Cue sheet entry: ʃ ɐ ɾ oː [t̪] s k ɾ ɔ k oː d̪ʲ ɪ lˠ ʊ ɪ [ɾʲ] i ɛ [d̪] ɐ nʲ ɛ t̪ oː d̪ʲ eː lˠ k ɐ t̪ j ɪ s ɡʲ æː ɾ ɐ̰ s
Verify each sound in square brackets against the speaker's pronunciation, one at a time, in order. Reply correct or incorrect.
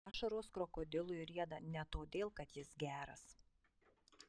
incorrect, correct, correct

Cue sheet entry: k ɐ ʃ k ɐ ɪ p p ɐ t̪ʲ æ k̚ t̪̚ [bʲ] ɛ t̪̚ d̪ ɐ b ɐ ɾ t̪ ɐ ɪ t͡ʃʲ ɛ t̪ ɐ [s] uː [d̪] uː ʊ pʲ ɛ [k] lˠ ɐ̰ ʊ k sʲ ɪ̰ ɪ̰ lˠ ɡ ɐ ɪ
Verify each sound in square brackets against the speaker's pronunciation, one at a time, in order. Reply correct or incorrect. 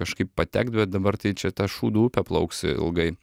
correct, incorrect, correct, incorrect

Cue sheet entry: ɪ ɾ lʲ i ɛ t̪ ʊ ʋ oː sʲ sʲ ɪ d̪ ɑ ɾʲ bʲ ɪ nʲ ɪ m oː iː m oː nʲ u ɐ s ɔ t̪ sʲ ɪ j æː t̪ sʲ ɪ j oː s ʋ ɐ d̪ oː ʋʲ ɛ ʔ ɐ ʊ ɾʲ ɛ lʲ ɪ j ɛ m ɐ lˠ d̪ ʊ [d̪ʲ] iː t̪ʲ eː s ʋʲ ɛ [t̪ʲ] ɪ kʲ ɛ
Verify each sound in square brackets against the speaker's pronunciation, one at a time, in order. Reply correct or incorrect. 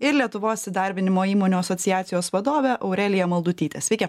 incorrect, incorrect

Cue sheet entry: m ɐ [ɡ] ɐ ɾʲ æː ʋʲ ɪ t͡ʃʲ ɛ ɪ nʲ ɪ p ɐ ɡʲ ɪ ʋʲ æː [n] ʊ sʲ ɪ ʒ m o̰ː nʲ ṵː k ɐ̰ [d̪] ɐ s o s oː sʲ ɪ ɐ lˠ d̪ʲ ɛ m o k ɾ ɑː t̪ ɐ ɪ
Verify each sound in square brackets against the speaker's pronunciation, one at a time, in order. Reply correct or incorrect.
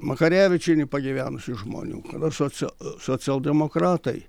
incorrect, correct, correct

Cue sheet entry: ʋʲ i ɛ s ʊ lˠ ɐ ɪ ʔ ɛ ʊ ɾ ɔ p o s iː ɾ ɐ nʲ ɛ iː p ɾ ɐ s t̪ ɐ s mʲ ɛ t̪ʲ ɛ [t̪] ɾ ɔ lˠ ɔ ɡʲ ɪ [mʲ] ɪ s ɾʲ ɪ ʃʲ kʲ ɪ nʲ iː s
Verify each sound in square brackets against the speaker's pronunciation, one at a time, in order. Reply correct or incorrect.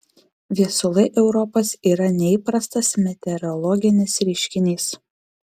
incorrect, incorrect

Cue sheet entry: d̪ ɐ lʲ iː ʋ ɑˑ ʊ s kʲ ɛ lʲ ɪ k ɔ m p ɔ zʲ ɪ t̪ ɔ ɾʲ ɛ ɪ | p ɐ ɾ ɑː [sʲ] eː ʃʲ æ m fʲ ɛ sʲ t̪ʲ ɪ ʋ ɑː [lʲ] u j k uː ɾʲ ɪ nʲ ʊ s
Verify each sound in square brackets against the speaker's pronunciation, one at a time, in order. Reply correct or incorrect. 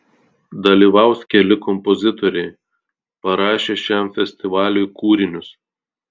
incorrect, correct

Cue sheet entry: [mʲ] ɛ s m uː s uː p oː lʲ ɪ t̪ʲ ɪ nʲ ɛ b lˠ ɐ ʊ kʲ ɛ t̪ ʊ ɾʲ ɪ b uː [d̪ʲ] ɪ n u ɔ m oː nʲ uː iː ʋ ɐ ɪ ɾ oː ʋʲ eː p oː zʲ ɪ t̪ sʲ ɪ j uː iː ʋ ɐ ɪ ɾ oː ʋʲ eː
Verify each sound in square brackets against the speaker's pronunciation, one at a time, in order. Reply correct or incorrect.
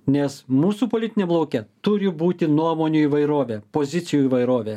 incorrect, incorrect

